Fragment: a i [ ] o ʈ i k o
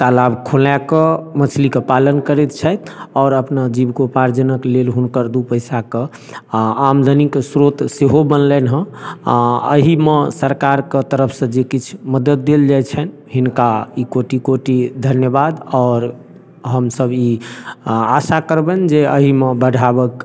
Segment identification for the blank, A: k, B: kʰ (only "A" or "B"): A